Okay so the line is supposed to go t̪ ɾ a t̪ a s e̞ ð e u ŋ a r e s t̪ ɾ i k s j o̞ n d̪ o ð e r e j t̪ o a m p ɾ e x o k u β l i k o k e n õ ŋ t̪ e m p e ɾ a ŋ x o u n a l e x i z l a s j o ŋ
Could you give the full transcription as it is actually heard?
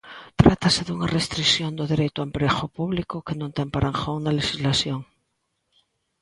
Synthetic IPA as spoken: t̪ ɾ a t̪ a s e̞ ð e u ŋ a r e s t̪ ɾ i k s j o̞ n d̪ o ð e ɾ e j t̪ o a m p ɾ e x o p u β l i k o k e n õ n t̪ e m p a ɾ a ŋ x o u n a l e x i z l a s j o ŋ